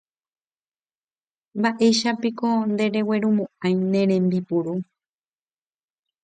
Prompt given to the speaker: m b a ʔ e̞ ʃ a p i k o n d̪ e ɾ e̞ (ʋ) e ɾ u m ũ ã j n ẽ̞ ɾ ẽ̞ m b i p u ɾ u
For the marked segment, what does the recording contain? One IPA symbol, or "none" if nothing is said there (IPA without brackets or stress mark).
w